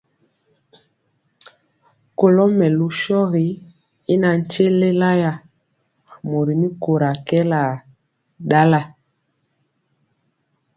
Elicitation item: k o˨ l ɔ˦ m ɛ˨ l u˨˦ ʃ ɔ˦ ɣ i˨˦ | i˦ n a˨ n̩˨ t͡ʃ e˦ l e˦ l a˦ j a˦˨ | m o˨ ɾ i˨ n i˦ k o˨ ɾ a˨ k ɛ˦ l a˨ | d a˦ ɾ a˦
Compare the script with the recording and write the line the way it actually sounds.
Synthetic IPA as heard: k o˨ l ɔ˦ m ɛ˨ l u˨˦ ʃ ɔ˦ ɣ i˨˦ | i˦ n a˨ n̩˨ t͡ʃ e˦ l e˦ l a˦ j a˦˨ | m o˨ ɾ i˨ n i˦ k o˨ ɾ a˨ k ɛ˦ l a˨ | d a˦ l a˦